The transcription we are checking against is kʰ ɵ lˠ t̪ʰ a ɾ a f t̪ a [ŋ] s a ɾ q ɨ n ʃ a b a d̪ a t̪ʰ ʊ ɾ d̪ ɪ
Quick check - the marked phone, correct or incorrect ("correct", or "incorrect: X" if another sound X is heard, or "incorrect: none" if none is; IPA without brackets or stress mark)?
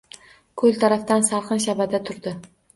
incorrect: n